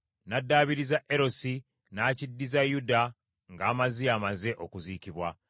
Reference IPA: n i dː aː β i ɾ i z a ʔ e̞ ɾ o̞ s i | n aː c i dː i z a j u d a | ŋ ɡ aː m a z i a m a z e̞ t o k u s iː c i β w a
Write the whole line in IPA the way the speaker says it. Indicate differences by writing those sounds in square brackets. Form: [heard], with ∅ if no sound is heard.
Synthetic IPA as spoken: n [a] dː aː β i ɾ i z a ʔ e̞ ɾ o̞ s i | n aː c i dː i z a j u d a | ŋ ɡ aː m a z i a m a z e̞ [ʔ] o k u [z] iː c i β w a

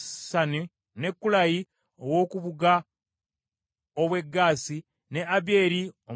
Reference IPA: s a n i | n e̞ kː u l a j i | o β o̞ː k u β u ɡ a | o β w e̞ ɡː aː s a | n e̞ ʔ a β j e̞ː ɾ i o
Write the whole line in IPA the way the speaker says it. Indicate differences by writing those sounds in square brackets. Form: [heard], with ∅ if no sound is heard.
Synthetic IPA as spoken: s a n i | n e̞ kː u l a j i | o [w] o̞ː k u β u ɡ a | o β w e̞ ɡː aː s [i] | n e̞ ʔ a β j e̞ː ɾ i o

